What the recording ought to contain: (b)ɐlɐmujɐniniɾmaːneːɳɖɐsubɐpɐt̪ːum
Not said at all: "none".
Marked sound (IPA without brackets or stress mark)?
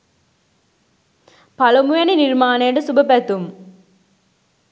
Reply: p